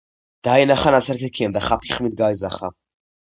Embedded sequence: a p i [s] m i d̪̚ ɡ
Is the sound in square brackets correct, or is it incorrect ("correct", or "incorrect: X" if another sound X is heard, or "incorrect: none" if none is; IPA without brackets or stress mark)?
incorrect: χ